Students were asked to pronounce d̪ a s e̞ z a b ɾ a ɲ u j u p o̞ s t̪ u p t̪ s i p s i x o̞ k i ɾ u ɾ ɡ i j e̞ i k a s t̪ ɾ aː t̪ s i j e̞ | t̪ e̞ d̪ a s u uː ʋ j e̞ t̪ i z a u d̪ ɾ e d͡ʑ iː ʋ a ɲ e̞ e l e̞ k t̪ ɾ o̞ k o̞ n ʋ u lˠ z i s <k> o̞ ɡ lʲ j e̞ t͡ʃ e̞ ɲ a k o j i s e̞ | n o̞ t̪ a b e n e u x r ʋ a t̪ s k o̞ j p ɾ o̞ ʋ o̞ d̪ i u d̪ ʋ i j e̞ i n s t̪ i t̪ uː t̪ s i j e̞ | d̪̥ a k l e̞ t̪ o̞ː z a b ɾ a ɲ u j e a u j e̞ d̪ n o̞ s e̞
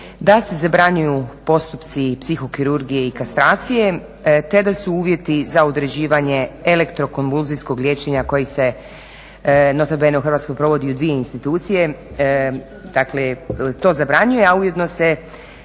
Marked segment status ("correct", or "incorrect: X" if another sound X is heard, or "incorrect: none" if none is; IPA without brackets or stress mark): correct